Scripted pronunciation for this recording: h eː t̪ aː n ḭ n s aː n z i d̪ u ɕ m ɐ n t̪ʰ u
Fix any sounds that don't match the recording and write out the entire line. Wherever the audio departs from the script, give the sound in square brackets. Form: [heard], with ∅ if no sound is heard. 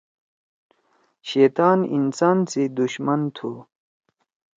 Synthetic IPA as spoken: [ɕ] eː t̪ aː n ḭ n s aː n [s] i d̪ u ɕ m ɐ n t̪ʰ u